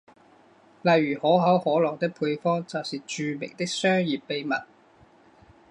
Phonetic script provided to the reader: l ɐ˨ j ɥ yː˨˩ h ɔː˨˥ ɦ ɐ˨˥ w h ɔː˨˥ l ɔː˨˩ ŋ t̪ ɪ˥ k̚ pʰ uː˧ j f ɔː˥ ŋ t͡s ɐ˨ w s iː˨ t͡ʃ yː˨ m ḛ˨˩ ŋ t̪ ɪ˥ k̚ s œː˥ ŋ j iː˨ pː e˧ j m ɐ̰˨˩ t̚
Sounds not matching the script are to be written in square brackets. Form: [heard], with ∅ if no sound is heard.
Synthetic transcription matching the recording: l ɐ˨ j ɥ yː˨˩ h ɔː˨˥ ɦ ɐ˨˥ w h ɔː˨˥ l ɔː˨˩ ŋ t̪ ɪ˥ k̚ pʰ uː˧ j f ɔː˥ ŋ t͡s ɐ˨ w s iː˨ t͡ʃ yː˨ m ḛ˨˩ ŋ t̪ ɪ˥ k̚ s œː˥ ŋ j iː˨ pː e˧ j m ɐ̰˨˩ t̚